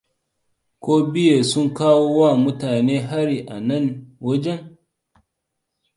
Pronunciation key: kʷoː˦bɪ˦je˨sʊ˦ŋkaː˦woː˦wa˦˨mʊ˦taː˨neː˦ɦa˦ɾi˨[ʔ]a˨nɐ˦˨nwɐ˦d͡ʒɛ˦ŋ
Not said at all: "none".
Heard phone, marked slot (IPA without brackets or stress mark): ʔ